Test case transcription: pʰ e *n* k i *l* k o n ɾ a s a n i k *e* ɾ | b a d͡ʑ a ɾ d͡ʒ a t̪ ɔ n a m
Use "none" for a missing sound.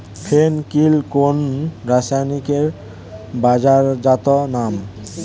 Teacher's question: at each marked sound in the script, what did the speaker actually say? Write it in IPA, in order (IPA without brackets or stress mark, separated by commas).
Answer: n, l, e